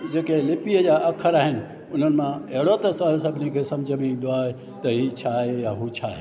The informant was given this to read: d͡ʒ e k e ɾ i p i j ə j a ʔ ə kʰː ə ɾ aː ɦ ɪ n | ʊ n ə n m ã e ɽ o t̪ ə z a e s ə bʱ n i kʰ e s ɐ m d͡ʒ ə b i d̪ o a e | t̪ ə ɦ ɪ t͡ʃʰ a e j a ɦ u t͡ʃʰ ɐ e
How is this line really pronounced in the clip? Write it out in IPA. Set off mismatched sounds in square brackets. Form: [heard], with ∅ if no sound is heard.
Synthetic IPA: d͡ʒ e k e [l] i p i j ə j a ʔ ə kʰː ə ɾ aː ɦ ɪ n | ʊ n ə n m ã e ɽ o t̪ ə [s] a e s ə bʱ n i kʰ e s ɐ m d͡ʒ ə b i d̪ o a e | t̪ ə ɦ [i] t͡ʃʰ a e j a ɦ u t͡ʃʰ [a] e